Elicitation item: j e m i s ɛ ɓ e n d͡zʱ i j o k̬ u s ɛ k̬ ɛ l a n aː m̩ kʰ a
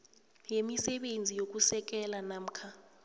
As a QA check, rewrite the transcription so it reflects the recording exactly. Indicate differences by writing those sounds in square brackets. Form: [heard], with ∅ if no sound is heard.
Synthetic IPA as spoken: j e m i s ɛ ɓ e n d͡zʱ i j o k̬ u s ɛ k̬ ɛ l a n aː m̩ kʰ a